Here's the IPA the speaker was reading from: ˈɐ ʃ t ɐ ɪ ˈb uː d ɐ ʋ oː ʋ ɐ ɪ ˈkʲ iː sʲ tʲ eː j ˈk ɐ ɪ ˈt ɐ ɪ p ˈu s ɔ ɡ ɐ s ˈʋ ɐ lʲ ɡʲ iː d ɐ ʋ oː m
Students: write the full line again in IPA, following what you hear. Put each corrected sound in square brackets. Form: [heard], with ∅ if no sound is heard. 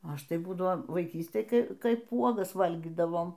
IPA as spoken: ˈɐ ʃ t ɐ ɪ ˈb uː d ɐ ʋ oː ʋ ɐ ɪ ˈkʲ iː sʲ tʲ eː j ˈk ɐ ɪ [ˈk] ɐ ɪ p ˈu [∅] ɔ ɡ ɐ s ˈʋ ɐ lʲ ɡʲ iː d ɐ ʋ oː m